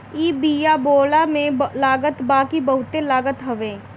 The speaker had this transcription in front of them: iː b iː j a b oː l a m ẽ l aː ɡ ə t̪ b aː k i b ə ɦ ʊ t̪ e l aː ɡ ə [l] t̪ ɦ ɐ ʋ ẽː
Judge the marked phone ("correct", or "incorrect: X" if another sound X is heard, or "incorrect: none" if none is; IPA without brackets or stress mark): incorrect: none